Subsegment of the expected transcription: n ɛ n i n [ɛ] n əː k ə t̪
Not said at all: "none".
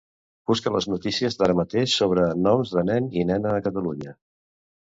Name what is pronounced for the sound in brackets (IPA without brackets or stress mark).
ɛ